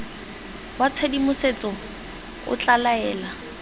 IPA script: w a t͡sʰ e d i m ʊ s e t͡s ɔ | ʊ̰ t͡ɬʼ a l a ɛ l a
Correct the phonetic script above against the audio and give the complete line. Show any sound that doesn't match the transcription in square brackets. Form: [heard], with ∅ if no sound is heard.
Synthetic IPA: w a t͡sʰ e d i m ʊ s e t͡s ɔ | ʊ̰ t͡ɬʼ a l a [ɛː] l a